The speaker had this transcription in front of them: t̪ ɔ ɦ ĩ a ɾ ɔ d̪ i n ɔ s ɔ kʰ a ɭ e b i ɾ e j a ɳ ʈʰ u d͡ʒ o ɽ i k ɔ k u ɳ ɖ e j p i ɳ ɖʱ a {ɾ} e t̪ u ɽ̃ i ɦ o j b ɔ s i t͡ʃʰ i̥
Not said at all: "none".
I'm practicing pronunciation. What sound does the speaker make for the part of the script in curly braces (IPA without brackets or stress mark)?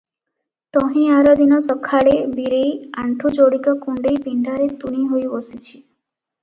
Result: ɾ